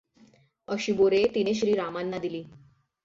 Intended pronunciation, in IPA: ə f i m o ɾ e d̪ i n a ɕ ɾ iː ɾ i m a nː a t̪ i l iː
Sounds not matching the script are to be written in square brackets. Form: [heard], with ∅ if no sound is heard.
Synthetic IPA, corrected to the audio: ə [ɕ] i [b] o ɾ e [t̪] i n [e] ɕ ɾ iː ɾ [a] m a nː a [d̪] i l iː